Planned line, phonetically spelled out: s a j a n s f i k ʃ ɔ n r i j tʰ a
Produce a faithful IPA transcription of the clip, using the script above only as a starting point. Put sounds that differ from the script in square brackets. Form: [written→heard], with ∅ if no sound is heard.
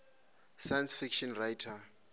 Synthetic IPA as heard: s a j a n s f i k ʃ ɔ n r [i→a] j tʰ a

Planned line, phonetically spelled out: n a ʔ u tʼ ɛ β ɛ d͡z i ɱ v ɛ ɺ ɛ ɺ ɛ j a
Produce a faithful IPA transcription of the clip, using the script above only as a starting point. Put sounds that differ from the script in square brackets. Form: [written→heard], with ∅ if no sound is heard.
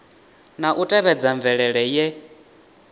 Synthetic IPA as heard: n a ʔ u tʼ ɛ β ɛ d͡z [i→a] ɱ v ɛ ɺ ɛ ɺ ɛ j [a→ɛ]

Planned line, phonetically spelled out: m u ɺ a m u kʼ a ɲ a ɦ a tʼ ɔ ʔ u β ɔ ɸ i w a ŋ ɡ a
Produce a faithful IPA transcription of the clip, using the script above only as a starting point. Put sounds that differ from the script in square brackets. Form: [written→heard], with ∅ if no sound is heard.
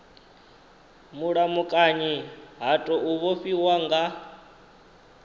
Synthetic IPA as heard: m u ɺ a m u kʼ a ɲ [a→i] ɦ a tʼ ɔ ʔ u β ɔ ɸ i w a ŋ ɡ a

